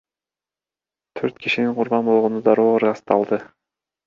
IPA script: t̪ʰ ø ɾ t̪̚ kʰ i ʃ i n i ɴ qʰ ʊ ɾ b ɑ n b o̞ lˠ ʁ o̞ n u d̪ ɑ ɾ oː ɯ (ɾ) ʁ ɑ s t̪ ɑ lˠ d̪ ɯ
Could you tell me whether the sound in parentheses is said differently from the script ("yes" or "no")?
no